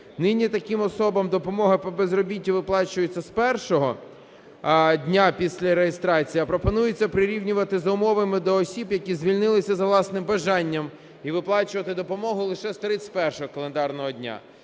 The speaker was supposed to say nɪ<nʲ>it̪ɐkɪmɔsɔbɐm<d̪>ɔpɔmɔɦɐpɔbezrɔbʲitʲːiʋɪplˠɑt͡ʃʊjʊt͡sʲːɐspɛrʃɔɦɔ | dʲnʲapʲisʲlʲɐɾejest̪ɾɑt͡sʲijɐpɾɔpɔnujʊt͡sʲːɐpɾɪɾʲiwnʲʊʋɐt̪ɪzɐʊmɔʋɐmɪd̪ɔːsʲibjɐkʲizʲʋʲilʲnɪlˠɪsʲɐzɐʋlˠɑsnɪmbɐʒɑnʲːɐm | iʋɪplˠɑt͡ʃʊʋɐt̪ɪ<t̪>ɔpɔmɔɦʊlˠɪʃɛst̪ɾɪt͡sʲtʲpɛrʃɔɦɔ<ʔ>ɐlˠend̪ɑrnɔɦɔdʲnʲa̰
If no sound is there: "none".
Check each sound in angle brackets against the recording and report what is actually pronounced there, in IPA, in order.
nʲ, d̪, d̪, k

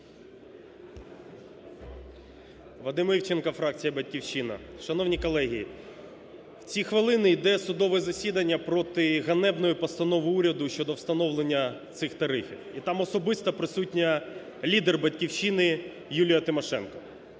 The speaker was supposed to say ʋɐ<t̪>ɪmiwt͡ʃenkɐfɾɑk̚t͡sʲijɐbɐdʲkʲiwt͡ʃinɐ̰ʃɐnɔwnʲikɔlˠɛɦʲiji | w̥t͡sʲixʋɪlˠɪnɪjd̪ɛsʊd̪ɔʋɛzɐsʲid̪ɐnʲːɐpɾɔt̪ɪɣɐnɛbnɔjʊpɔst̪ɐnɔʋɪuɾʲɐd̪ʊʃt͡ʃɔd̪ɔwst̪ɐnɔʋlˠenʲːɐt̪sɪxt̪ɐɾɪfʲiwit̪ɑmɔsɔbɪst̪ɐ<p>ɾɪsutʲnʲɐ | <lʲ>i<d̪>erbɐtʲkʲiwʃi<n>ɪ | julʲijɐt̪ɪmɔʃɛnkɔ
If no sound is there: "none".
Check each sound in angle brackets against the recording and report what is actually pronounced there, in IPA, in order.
d̪, p, lʲ, d̪, n

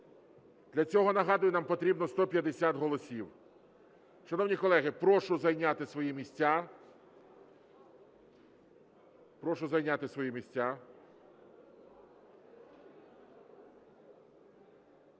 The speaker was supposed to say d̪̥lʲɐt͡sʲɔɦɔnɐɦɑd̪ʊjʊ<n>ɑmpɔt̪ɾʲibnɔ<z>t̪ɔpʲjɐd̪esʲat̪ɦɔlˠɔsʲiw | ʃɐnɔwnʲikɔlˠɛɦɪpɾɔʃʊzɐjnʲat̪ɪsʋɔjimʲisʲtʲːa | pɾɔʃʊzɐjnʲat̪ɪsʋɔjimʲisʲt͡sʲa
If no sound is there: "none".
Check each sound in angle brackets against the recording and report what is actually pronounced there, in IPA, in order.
n, s

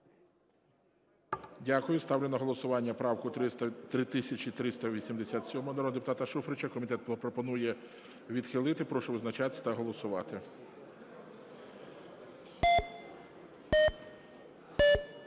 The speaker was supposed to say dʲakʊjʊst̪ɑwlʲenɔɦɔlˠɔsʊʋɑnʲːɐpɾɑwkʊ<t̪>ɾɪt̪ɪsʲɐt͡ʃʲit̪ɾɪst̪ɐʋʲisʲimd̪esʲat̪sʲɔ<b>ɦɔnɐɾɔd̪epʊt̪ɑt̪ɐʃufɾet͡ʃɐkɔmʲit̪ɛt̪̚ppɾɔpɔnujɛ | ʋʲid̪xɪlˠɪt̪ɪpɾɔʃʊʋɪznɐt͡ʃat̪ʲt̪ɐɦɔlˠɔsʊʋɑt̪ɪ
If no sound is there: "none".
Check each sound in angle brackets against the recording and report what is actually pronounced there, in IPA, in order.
t̪, m

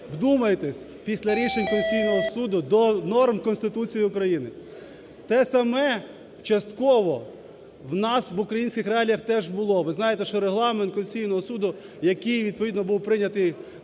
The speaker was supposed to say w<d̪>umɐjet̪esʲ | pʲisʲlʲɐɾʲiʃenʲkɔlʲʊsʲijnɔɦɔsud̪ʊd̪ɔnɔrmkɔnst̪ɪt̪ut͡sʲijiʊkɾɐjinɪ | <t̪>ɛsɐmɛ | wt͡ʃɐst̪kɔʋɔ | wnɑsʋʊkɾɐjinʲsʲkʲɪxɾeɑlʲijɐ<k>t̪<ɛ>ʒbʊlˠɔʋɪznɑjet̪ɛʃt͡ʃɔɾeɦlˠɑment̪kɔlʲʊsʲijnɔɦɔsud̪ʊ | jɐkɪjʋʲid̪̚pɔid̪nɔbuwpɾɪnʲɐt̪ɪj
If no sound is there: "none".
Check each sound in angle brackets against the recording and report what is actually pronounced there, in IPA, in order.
d̪, t̪, x, ɛ

